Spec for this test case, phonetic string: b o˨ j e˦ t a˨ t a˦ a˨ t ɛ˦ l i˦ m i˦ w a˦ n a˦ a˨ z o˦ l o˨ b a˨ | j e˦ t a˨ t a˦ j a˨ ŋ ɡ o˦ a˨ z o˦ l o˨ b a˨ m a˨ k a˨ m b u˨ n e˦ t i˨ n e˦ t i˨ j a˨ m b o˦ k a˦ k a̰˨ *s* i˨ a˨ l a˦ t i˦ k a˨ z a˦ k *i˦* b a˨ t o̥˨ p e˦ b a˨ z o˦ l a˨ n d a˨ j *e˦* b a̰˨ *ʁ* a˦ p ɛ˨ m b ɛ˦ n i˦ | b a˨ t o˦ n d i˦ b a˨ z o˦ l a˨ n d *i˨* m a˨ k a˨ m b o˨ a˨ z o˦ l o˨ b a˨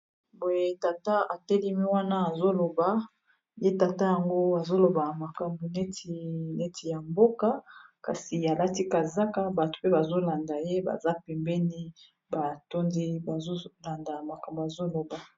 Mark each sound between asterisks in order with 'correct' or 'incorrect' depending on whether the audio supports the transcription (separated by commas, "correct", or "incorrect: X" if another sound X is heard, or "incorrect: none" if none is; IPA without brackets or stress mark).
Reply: correct, incorrect: a˦, correct, incorrect: z, incorrect: a˨